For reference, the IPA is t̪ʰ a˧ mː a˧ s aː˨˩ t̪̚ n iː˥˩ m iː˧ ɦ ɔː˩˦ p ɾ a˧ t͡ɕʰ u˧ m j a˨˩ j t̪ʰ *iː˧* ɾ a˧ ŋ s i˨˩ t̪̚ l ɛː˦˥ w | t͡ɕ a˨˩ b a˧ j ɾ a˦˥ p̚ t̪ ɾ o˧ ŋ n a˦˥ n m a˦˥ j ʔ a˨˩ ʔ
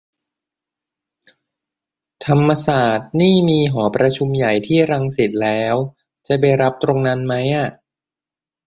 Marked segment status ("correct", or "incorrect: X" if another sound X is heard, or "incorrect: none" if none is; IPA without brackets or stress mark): incorrect: iː˥˩